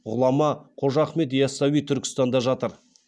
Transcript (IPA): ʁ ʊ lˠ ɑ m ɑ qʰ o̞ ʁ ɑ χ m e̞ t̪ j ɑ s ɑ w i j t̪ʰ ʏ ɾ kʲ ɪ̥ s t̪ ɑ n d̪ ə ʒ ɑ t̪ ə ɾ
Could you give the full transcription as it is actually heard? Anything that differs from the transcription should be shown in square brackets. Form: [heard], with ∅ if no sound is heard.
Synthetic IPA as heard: ʁ ʊ lˠ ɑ m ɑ qʰ o̞ [ʒ] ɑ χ m e̞ t̪ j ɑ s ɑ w i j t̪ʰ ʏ ɾ kʲ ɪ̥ s t̪ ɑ n d̪ [ɑ] ʒ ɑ t̪ ə ɾ